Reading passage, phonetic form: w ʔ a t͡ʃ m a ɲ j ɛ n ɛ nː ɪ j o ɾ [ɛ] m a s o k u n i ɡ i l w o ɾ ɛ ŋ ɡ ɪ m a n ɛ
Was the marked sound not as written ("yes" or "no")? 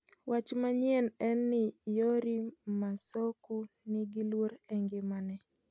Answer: yes